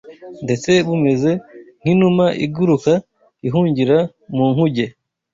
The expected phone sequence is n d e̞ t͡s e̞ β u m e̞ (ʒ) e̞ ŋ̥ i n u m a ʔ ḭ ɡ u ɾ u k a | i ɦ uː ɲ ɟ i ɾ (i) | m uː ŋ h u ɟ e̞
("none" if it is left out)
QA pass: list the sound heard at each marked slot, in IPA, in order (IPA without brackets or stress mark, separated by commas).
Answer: z, a